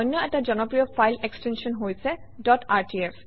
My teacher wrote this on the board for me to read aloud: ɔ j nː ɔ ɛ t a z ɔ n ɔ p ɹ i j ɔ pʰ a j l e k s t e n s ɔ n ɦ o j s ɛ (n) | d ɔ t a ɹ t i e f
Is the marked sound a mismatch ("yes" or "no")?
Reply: yes